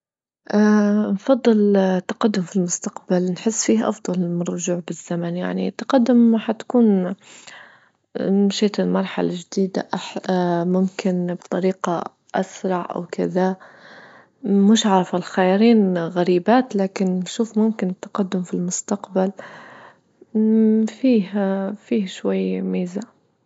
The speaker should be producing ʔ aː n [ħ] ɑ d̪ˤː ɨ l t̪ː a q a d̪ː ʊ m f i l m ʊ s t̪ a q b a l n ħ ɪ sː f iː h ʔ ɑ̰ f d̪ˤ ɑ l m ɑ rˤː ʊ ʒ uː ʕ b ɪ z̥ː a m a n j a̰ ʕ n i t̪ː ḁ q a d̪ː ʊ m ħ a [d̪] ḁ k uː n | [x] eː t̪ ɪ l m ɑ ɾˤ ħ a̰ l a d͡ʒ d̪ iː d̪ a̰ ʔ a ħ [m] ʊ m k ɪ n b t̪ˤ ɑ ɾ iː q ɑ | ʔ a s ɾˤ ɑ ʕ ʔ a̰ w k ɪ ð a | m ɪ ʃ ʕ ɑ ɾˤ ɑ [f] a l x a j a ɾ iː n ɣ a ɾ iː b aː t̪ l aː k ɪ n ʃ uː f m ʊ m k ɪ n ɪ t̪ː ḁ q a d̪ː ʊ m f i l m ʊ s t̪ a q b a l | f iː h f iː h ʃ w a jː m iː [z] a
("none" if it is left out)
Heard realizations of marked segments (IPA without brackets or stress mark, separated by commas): f, t̪, ʃ, m, f, z